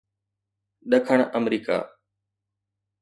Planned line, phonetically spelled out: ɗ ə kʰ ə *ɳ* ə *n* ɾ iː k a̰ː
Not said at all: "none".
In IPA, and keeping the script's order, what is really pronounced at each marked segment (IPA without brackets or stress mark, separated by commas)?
ɳ, m